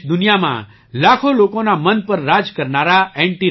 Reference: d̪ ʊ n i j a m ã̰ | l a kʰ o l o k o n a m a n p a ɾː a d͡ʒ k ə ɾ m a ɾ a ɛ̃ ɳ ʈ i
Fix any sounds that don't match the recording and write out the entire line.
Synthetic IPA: d̪ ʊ n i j a m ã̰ | l a kʰ o l o k o n a m ə n p ə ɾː a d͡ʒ k ə ɾ n a ɾ a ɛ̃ ɳ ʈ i